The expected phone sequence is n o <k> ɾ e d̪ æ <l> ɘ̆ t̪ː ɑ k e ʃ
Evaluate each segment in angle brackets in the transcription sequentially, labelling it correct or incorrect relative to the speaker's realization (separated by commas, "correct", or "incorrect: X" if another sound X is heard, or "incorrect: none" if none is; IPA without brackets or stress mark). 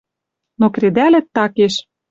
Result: correct, correct